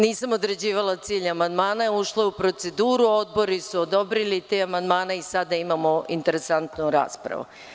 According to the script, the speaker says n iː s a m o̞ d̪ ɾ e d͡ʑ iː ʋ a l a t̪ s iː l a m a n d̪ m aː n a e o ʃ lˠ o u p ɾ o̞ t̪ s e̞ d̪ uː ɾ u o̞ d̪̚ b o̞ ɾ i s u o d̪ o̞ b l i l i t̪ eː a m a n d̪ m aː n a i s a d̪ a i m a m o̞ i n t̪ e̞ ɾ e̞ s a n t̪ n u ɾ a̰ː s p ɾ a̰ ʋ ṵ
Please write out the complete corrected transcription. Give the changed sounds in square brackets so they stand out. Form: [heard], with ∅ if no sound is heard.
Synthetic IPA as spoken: n iː s a m o̞ d̪ ɾ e d͡ʑ iː ʋ a l a t̪ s iː [ʎ] a m a n d̪ m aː n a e [u] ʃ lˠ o u p ɾ o̞ t̪ s e̞ d̪ uː ɾ u o̞ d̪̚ b o̞ ɾ i s u o d̪ o̞ b [ɾ] i l i t̪ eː a m a n d̪ m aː n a i s a d̪ a i m a m o̞ i n t̪ e̞ ɾ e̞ s a n t̪ n u ɾ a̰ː s p ɾ a̰ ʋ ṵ